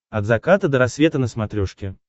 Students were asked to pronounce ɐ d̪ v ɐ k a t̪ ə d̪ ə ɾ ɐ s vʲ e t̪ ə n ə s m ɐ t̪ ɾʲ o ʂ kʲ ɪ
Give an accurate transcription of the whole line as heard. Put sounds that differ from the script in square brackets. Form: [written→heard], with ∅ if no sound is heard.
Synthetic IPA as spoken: ɐ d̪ [v→z] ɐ k a t̪ ə d̪ ə ɾ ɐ s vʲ e t̪ ə n ə s m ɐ t̪ ɾʲ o ʂ kʲ ɪ